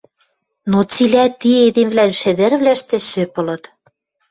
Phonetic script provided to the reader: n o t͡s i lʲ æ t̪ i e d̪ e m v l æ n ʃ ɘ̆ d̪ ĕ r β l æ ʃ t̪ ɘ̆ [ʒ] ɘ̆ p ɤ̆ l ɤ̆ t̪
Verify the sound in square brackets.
incorrect: ʃ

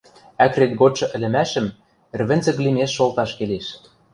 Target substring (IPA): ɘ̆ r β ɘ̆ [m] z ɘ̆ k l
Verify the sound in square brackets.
incorrect: n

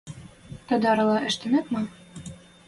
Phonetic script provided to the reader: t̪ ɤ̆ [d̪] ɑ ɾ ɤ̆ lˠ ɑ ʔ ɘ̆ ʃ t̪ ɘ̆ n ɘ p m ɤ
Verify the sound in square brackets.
correct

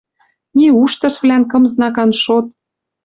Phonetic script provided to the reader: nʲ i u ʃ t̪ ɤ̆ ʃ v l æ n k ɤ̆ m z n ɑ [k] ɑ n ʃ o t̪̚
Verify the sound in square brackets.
correct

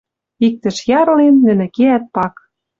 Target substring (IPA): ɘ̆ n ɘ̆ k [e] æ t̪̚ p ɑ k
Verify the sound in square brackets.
correct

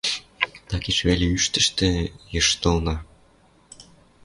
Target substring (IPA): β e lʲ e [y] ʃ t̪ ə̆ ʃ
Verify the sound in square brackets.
correct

